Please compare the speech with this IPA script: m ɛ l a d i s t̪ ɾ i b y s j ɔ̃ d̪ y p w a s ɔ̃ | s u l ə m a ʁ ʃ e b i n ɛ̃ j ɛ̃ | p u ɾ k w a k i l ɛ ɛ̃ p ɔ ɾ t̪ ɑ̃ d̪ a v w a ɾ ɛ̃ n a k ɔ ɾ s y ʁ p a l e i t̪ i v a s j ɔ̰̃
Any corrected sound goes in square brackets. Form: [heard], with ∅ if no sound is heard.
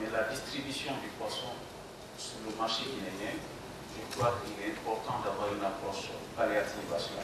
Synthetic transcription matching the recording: m ɛ l a d i s t̪ ɾ i b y s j ɔ̃ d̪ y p w a s ɔ̃ | s u l ə m a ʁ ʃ e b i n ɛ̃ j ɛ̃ | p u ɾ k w a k i l ɛ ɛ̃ p ɔ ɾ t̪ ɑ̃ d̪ a v w a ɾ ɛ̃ n a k ɔ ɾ s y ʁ p a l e [a] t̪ i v a s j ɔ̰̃

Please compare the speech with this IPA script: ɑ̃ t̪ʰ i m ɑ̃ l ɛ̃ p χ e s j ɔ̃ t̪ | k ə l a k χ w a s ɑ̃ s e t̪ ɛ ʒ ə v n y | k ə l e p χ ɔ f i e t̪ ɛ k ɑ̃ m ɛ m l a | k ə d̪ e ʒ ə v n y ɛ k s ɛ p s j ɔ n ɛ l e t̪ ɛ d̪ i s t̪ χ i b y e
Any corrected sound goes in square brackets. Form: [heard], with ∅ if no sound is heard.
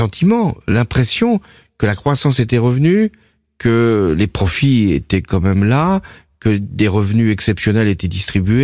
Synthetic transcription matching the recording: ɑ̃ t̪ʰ i m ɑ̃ l ɛ̃ p χ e s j ɔ̃ [∅] | k ə l a k χ w a s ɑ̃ s e t̪ ɛ [ʁ] ə v n y | k ə l e p χ ɔ f i e t̪ ɛ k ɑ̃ m ɛ m l a | k ə d̪ e [ʁ] ə v n y ɛ k s ɛ p s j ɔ n ɛ l e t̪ ɛ d̪ i s t̪ χ i b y e

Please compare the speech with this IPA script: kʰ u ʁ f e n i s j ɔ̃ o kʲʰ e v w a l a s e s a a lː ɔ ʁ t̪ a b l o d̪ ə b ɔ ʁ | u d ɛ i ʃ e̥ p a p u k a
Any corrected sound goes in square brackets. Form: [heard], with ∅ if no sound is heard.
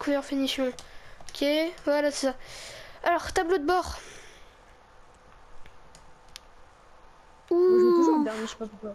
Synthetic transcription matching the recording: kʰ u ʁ f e n i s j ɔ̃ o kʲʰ e v w a l a s e s a a [l] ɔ ʁ t̪ a b l o d̪ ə b ɔ ʁ | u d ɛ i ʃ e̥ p a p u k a

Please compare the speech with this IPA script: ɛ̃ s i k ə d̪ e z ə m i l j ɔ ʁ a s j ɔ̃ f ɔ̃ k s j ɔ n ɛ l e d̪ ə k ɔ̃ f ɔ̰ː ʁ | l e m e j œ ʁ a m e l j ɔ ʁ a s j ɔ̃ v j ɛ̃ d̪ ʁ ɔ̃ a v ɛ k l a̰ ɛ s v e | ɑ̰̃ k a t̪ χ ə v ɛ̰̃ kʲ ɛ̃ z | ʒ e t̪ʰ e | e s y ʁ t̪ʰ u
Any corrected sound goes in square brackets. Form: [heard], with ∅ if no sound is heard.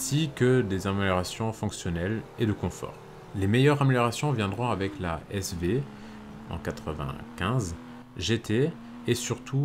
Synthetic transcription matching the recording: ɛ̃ s i k ə d̪ e z [a] m [e] l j ɔ ʁ a s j ɔ̃ f ɔ̃ k s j ɔ n ɛ l e d̪ ə k ɔ̃ f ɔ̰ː ʁ | l e m e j œ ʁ a m e l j ɔ ʁ a s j ɔ̃ v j ɛ̃ d̪ ʁ ɔ̃ a v ɛ k l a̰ ɛ s v e | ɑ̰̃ k a t̪ χ ə v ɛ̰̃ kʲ ɛ̃ z | ʒ e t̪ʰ e | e s y ʁ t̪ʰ u

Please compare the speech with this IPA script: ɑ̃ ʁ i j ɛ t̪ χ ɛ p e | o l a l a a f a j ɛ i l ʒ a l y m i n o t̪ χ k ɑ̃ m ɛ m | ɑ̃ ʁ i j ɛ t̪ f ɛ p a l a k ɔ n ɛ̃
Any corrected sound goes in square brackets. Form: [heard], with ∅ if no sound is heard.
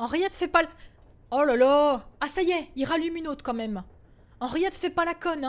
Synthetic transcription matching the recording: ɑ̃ ʁ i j ɛ t̪ [f] ɛ p [a] | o l a l a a [s] a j ɛ i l [ʁ] a l y m [y] n o t̪ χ k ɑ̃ m ɛ m | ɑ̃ ʁ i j ɛ t̪ f ɛ p a l a k ɔ n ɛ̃

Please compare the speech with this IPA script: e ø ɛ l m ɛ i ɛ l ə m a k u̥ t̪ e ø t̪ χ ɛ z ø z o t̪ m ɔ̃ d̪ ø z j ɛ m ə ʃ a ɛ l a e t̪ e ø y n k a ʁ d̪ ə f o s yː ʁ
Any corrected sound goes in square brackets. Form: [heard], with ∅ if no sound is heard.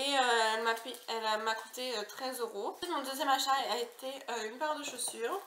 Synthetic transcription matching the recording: e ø ɛ l m [a] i ɛ l [a] m a k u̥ t̪ e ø t̪ χ ɛ z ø [ʁ] o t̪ m ɔ̃ d̪ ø z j ɛ m [a] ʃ a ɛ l a e t̪ e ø y n [p] a ʁ d̪ ə [ʃ] o s yː ʁ

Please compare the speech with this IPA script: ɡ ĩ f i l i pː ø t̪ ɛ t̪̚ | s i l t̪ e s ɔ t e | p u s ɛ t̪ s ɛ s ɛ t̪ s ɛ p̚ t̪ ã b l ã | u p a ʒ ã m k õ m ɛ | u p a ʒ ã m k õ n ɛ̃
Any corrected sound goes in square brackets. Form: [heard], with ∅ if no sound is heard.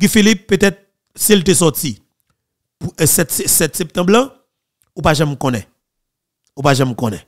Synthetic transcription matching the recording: ɡ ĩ f i l i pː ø t̪ ɛ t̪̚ | s i l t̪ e s ɔ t [i] | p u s ɛ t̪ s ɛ s ɛ t̪ s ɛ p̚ t̪ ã b l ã | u p a ʒ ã m k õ [n] ɛ | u p a ʒ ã m k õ n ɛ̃

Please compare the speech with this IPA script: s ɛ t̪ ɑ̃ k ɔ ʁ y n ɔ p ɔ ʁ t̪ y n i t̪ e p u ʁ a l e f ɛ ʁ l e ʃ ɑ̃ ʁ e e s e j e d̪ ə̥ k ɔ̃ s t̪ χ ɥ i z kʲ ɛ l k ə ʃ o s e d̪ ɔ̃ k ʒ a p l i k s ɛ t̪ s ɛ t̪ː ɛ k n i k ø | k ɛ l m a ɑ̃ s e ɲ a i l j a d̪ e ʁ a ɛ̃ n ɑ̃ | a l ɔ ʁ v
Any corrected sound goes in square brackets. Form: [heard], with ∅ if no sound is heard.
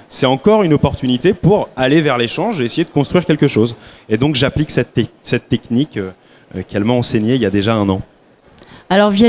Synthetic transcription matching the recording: s ɛ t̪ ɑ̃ k ɔ ʁ y n ɔ p ɔ ʁ t̪ y n i t̪ e p u ʁ a l e [v] ɛ ʁ l e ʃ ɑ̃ [ʒ] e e s e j e d̪ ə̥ k ɔ̃ s t̪ χ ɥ i [ʁ] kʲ ɛ l k ə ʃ o [z] e d̪ ɔ̃ k ʒ a p l i k s ɛ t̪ s ɛ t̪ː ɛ k n i k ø | k ɛ l m a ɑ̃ s e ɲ [e] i l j a d̪ e [ʒ] a ɛ̃ n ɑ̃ | a l ɔ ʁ v

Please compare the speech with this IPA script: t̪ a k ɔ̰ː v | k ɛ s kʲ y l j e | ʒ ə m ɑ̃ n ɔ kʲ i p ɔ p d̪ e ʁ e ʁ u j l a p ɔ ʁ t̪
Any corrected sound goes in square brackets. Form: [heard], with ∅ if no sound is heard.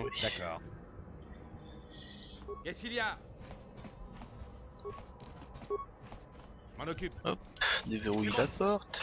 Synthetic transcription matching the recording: [d̪] a k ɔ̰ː [ʁ] | k ɛ s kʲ [i] l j [a] | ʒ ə m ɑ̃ n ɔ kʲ [y] p ɔ p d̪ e [v] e ʁ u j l a p ɔ ʁ t̪

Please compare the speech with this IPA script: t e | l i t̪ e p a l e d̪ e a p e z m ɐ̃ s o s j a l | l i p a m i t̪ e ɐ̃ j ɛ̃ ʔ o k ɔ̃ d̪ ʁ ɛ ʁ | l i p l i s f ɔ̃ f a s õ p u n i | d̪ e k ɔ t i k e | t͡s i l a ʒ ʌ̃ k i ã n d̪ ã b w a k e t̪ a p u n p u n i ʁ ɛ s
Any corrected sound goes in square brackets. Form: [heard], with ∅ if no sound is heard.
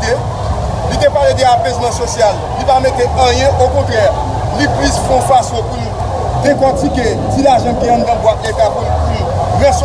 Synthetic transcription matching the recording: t e | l i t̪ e p a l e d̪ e a p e z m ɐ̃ s o s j a l | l i p a m [e] t̪ e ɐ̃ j ɛ̃ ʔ o k ɔ̃ [t̪] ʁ ɛ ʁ | l i p l i s f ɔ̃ f a s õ p u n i | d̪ e k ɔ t i k e | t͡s i l a ʒ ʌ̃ k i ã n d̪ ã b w a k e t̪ a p u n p u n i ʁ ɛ s

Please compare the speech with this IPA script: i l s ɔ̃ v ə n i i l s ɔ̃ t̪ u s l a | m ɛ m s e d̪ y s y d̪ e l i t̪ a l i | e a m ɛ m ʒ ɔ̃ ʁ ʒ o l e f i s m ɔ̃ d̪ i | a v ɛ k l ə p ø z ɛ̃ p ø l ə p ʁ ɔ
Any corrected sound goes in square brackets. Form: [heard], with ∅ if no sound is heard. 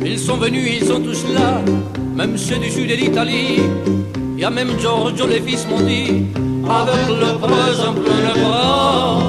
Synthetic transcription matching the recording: i l s ɔ̃ v ə n [y] i l s ɔ̃ t̪ u s l a | m ɛ m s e d̪ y s y d̪ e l i t̪ a l i | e a m ɛ m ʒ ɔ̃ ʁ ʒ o l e f i s m ɔ̃ d̪ i | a v ɛ k l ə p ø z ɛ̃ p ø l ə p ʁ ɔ

